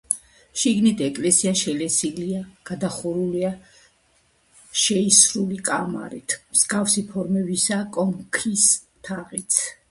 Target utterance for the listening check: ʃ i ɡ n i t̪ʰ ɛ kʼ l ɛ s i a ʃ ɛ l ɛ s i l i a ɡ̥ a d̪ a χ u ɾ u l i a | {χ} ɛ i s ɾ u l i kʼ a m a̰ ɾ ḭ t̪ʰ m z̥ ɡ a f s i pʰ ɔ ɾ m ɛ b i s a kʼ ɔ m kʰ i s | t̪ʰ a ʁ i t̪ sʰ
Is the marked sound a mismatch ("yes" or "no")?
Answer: yes